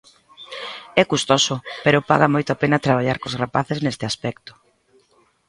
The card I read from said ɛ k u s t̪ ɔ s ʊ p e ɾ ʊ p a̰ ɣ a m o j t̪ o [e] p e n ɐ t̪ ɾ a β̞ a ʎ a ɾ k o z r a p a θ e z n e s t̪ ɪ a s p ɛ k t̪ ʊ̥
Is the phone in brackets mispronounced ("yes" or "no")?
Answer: yes